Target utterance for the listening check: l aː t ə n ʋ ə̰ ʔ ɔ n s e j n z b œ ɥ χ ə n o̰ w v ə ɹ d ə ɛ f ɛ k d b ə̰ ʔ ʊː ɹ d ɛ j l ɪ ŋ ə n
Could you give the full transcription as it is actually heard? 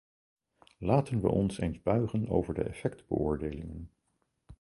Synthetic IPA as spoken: l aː t ə n ʋ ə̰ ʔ ɔ n s e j n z b œ ɥ χ ə n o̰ w v ə ɹ d ə ɛ f ɛ k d b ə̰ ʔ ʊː ɹ d e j l ɪ ŋ ə n